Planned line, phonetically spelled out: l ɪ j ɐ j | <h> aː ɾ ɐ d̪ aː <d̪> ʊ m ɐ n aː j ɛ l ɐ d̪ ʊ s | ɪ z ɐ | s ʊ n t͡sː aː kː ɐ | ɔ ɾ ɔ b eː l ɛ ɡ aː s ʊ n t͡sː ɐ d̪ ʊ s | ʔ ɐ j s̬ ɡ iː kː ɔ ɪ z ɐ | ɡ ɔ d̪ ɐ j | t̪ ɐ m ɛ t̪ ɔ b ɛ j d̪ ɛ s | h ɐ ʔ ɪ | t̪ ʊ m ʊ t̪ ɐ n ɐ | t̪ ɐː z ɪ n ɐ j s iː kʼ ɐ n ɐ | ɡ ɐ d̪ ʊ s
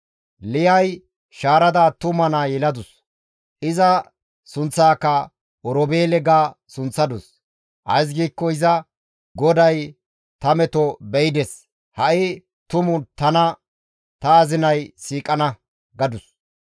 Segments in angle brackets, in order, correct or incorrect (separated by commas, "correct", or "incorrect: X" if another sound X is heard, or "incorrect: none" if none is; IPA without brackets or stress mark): incorrect: ʃ, incorrect: t̪